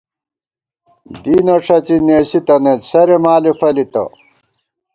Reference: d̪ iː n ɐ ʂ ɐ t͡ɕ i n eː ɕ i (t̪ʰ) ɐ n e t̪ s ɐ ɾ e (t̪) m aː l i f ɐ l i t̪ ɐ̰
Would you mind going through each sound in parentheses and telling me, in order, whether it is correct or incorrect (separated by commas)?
incorrect, incorrect